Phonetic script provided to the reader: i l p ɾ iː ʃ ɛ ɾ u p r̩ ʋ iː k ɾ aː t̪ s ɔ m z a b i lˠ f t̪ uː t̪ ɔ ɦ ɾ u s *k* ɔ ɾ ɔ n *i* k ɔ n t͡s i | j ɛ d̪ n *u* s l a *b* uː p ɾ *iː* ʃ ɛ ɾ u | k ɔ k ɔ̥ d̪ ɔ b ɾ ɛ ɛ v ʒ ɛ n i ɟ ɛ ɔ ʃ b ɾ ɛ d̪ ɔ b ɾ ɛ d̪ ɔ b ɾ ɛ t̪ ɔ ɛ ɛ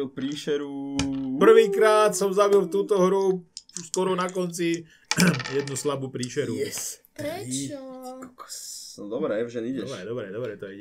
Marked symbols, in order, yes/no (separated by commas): yes, no, yes, yes, yes